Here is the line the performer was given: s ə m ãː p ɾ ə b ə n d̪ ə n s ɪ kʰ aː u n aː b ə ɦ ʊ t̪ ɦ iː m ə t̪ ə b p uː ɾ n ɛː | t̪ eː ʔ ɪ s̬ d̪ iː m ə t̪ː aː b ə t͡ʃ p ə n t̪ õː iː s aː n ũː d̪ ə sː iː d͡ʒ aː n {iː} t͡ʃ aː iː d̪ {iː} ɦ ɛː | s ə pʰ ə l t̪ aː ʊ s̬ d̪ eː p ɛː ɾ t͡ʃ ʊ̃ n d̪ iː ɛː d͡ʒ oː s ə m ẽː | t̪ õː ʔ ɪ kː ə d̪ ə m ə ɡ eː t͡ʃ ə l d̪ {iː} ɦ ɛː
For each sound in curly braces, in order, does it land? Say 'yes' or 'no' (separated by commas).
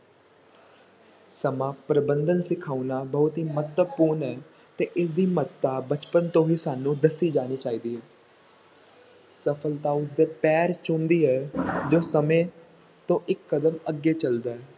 yes, yes, no